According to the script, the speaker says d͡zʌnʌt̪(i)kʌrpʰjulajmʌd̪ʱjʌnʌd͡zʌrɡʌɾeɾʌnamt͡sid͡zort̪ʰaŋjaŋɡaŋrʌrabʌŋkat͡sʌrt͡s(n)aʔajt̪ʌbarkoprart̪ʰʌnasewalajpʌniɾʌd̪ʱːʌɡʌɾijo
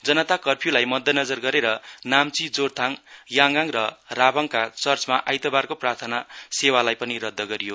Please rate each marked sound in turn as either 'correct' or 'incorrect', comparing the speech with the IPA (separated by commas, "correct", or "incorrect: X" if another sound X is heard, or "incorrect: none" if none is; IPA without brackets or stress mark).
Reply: incorrect: a, incorrect: m